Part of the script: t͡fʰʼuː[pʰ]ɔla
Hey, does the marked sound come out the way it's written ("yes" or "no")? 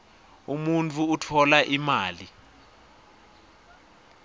no